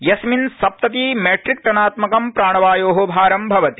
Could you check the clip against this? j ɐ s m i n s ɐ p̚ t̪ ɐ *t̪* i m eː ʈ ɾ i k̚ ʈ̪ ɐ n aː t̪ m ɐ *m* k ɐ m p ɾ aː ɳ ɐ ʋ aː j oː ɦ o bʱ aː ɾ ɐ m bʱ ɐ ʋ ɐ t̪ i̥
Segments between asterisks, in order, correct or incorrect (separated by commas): correct, incorrect